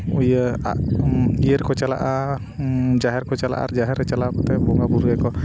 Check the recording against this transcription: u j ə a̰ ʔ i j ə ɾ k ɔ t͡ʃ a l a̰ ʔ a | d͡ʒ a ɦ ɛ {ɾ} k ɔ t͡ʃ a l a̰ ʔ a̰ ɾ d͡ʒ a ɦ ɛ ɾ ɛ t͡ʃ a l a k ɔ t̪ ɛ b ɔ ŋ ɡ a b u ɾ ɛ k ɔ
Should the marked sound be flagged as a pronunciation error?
no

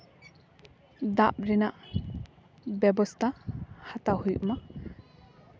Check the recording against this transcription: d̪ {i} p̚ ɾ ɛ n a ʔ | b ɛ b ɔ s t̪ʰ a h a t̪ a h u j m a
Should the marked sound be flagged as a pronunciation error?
yes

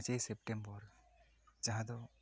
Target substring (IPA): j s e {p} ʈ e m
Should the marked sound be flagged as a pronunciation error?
no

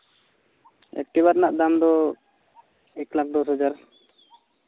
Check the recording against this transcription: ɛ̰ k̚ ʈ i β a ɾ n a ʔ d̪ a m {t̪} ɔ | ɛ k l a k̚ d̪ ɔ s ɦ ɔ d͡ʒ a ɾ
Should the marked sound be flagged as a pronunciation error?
yes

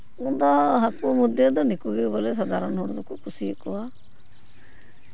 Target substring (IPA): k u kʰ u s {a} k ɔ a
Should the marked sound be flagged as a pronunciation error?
yes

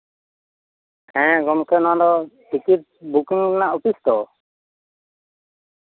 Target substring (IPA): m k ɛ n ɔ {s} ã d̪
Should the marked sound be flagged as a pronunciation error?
yes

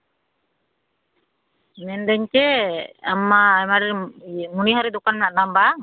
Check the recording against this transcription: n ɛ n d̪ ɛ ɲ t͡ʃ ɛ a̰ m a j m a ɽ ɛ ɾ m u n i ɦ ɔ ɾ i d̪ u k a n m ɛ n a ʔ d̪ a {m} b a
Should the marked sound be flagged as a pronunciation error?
no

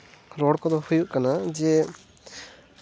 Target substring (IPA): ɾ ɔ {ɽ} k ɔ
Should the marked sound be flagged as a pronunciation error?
no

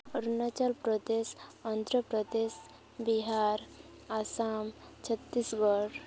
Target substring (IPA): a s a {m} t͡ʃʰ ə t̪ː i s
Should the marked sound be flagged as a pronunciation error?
no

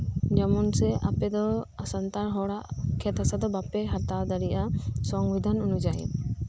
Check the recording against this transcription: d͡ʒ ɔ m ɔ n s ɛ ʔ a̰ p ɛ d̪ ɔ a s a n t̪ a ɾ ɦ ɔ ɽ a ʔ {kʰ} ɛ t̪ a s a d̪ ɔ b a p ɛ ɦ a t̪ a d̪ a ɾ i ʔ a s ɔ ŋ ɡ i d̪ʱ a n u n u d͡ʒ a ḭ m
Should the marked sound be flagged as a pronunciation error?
no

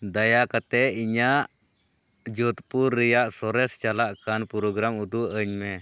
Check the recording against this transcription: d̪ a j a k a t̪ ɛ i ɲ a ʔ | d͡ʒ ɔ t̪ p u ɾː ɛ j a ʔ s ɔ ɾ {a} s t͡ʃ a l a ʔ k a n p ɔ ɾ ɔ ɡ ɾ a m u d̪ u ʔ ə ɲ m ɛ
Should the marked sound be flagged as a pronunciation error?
yes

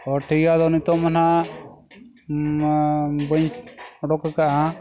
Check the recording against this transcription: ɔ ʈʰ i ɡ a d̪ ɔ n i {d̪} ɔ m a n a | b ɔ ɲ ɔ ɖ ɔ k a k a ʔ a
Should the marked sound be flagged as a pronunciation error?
yes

